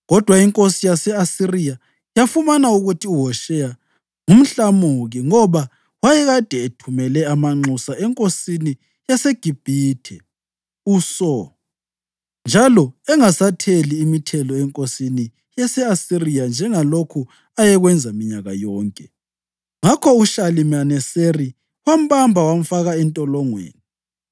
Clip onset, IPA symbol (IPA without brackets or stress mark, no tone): ɣ